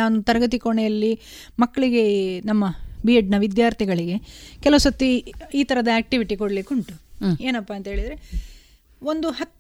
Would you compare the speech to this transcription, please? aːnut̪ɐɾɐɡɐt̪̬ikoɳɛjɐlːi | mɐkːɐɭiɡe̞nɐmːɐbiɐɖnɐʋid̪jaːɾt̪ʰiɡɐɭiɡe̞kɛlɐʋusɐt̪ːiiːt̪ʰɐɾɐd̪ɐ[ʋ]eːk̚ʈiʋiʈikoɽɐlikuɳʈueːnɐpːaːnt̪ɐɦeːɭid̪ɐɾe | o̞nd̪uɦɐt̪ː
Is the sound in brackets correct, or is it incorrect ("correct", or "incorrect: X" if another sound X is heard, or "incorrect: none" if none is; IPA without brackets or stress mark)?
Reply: incorrect: none